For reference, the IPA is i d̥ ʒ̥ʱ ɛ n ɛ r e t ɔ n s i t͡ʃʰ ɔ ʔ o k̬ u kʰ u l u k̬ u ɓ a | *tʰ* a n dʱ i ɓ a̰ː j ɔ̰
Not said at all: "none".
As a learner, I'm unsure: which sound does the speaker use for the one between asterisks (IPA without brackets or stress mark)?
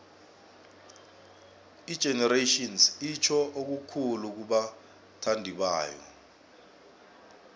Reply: tʰ